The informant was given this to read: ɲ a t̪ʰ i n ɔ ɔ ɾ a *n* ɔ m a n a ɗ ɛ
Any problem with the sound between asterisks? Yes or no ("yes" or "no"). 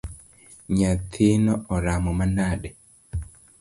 yes